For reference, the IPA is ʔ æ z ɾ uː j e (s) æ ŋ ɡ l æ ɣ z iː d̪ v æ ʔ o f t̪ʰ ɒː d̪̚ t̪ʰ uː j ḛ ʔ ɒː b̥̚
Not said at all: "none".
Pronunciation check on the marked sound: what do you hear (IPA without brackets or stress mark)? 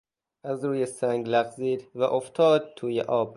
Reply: s